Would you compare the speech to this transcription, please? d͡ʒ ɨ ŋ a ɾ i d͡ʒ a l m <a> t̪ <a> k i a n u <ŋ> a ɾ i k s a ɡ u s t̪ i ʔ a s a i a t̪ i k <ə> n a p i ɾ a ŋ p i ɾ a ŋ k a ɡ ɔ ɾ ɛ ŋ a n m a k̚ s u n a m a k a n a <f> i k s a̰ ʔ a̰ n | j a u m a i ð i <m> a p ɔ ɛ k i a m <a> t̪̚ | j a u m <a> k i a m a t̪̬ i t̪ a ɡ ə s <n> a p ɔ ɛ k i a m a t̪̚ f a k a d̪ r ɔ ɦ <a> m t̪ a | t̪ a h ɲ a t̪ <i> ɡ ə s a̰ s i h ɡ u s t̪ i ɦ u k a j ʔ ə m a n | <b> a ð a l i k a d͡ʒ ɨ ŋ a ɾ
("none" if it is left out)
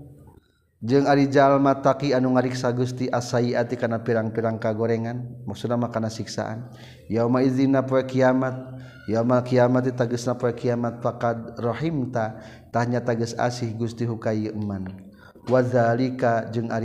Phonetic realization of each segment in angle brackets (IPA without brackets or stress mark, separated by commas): a, a, ŋ, a, s, n, a, a, n, i, a, w